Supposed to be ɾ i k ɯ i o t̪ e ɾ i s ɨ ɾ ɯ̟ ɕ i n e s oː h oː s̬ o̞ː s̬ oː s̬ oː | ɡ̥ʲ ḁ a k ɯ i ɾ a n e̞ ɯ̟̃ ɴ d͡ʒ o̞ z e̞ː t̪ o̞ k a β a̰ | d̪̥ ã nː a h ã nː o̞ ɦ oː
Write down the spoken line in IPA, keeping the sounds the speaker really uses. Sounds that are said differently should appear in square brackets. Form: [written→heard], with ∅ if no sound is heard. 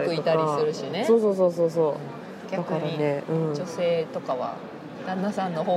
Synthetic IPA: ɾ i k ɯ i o t̪ [e→a] ɾ i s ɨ ɾ ɯ̟ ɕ i n e s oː [h→s] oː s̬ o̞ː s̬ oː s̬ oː | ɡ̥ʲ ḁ a k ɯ [i→a] ɾ a n e̞ ɯ̟̃ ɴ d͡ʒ o̞ [z→s] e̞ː t̪ o̞ k a β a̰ | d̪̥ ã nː a [h→s] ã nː o̞ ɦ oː